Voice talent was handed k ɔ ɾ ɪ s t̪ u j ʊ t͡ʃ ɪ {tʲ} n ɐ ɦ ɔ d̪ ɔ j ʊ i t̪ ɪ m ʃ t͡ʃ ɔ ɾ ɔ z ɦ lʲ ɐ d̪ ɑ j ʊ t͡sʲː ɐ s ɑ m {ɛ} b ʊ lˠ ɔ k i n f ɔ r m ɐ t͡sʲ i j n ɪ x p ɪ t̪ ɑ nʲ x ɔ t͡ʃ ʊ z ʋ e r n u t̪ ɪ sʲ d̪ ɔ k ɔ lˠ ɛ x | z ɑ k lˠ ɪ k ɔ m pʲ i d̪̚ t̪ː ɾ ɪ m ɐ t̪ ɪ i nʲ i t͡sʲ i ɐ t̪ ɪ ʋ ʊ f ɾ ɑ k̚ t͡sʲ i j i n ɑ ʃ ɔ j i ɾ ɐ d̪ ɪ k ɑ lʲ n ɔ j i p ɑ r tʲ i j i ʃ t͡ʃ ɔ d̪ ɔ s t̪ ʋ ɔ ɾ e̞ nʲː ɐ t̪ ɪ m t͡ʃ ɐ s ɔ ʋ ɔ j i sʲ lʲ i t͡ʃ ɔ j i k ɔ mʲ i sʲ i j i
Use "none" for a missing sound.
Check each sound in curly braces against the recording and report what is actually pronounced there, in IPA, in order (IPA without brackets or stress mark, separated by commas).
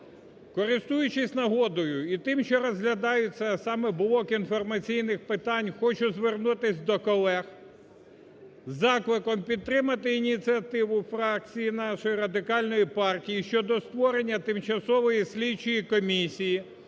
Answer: sʲ, ɛ